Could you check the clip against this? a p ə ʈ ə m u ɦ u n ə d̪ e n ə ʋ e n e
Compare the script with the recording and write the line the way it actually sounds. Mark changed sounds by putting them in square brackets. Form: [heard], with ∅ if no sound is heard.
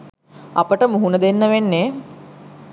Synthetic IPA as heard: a p ə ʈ ə m u ɦ u n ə d̪ e [nː] ə ʋ e [nː] e